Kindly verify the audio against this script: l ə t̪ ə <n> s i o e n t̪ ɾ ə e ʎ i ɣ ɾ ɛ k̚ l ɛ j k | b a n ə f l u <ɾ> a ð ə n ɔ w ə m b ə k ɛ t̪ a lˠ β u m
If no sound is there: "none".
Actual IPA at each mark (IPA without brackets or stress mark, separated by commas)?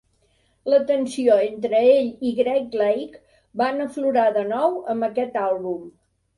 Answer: n, ɾ